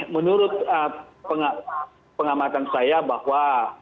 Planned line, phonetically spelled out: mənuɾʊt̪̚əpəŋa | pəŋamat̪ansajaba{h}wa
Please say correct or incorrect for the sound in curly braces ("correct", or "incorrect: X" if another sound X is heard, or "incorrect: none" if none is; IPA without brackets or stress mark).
correct